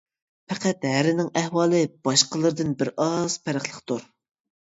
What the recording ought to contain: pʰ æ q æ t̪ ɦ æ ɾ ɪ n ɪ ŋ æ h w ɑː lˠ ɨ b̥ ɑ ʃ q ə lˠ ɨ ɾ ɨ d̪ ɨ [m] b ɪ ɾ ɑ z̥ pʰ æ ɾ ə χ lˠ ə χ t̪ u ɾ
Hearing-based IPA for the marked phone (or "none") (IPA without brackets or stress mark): n